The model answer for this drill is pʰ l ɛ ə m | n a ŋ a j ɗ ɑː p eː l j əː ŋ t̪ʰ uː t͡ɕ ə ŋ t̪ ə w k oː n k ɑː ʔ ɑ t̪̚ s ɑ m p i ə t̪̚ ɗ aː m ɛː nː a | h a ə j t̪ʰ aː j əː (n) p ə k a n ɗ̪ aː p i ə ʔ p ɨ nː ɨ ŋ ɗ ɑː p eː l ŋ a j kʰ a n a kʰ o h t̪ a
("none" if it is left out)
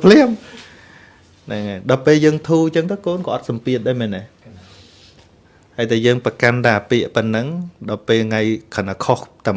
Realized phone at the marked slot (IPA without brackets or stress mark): ŋ